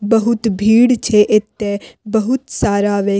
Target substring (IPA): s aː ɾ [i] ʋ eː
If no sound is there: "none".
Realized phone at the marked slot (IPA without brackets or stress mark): a